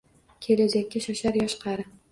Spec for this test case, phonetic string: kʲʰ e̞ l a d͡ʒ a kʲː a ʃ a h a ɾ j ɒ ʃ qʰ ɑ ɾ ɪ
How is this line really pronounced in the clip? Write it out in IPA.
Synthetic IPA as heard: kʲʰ e̞ l a d͡ʒ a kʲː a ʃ a ʃ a ɾ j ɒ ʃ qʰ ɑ ɾ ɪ